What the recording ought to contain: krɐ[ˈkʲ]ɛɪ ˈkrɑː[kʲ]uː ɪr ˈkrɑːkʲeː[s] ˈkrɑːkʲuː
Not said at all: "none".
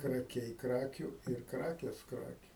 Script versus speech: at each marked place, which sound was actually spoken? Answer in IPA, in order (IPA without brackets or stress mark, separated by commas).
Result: kʲ, kʲ, s